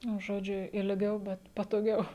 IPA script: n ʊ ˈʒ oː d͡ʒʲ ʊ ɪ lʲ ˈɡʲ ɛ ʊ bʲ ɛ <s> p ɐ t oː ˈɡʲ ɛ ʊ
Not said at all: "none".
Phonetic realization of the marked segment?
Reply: t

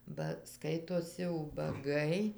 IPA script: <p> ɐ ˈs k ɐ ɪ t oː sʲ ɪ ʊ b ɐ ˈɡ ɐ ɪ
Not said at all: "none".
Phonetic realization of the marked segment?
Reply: b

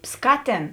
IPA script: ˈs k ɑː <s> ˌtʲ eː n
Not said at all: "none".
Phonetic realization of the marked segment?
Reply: none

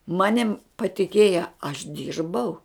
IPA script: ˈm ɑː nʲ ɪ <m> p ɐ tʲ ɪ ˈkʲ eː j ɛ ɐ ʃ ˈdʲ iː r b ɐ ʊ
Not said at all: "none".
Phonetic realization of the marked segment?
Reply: m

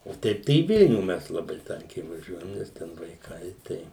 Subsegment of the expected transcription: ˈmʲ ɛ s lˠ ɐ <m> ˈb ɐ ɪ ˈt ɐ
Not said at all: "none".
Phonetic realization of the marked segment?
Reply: none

